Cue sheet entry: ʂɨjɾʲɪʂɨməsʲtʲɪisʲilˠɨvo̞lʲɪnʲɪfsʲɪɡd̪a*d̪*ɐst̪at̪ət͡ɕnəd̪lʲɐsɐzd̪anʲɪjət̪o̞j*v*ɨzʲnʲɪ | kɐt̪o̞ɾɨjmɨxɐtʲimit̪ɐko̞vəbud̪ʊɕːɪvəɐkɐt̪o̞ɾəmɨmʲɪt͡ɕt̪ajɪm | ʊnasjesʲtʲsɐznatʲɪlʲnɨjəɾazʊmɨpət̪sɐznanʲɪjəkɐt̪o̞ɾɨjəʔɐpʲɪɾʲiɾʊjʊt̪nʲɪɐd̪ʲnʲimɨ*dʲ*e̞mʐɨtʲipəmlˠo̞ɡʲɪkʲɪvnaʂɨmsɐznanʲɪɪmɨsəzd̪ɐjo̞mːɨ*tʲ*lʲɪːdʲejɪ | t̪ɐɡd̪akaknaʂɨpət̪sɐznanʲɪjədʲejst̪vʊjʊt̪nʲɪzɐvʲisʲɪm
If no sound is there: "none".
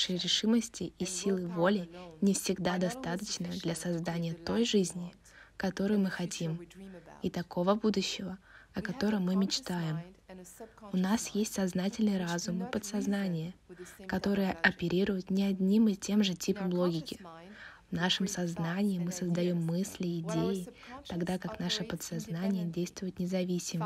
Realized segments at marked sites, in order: d̪, ʐ, tʲ, sʲ

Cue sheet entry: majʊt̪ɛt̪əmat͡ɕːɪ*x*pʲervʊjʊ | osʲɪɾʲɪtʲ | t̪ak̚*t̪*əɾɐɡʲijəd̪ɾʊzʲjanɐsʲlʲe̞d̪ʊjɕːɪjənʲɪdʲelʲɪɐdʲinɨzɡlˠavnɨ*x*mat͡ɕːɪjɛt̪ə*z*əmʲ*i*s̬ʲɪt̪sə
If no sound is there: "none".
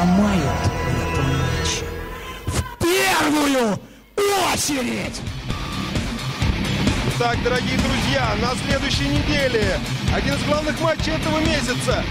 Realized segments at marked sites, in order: f, d̪, x, v, e

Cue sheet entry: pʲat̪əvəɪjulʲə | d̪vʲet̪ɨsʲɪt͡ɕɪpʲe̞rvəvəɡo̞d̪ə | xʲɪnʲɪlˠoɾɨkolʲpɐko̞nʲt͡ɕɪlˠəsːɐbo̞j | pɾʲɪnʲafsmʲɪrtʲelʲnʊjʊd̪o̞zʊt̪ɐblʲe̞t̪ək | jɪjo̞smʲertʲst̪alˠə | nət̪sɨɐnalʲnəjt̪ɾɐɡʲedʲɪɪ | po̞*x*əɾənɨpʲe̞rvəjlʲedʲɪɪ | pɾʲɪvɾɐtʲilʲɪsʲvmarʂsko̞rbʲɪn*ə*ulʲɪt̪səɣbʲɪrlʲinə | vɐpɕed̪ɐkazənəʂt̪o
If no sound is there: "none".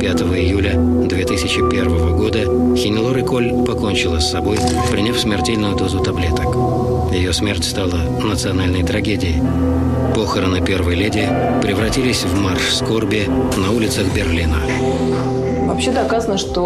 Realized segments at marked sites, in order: x, ɐ

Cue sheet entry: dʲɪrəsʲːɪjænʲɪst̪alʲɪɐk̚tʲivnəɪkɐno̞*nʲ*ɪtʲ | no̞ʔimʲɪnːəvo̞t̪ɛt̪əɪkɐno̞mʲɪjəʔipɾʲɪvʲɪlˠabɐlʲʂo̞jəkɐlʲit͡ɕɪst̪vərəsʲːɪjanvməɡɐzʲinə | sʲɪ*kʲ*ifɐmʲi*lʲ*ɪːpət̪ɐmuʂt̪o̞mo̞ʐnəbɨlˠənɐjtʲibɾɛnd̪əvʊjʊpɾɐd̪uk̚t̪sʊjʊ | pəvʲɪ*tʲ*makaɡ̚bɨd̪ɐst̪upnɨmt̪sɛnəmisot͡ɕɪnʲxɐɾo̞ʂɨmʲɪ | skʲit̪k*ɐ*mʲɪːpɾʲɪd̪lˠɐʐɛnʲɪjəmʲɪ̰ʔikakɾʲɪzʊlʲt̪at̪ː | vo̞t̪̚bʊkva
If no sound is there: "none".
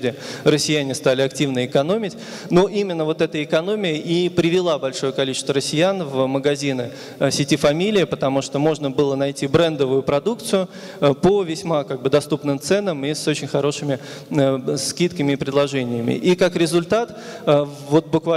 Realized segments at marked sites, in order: mʲ, tʲ, lʲ, sʲ, ə

